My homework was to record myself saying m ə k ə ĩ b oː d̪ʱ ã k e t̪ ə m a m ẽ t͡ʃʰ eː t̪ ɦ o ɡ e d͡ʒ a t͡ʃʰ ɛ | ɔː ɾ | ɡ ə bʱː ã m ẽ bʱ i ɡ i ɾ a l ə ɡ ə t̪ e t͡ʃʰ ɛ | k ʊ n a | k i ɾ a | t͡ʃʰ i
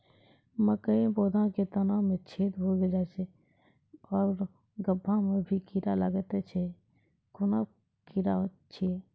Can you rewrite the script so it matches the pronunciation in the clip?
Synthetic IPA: m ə k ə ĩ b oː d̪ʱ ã k e t̪ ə n a m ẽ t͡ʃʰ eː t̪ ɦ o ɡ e d͡ʒ a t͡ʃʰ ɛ | ɔː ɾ | ɡ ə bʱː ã m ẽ bʱ i k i ɾ a l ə ɡ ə t̪ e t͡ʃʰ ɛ | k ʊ n a | k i ɾ a | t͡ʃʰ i